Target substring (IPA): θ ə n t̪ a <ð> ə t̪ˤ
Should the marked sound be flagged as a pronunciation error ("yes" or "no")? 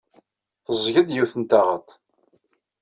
yes